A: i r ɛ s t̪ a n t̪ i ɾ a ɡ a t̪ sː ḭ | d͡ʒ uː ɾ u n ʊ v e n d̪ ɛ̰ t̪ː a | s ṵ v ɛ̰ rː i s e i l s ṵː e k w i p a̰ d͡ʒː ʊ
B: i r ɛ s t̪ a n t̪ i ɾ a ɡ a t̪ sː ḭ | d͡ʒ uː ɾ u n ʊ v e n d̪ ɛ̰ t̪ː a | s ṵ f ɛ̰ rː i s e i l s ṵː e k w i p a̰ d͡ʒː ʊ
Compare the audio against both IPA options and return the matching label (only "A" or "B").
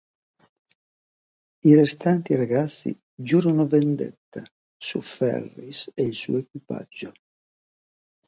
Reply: B